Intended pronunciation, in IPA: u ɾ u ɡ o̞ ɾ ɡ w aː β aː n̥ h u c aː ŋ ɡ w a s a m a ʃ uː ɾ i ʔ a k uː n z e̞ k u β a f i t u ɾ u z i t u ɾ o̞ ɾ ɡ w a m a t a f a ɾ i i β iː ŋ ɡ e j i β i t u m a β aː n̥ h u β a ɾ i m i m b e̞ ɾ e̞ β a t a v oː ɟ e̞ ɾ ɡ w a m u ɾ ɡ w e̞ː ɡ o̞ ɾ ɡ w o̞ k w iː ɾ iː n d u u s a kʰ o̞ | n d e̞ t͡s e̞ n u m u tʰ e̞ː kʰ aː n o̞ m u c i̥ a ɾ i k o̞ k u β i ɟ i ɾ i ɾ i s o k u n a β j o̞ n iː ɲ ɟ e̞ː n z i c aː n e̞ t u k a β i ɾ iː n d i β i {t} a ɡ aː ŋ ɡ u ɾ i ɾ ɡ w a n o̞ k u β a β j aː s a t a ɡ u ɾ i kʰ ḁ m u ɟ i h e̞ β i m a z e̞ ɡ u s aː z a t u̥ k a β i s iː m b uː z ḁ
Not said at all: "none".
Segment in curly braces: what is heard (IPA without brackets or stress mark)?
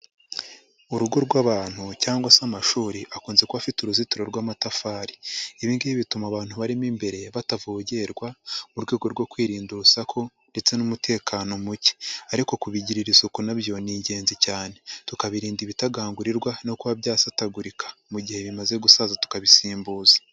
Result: t